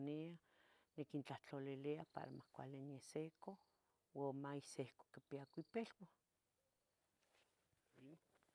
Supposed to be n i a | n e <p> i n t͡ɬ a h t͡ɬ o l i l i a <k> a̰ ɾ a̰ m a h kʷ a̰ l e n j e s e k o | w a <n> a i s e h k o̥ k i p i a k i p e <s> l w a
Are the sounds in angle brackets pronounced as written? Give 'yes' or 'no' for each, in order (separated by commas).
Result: no, no, no, no